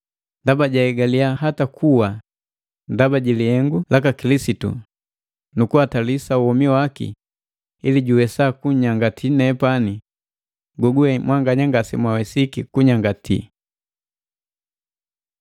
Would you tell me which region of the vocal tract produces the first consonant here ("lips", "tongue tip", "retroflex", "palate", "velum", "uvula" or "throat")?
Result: tongue tip